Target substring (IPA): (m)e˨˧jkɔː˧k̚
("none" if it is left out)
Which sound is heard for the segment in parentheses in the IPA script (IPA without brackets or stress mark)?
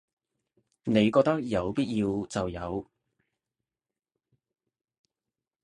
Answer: n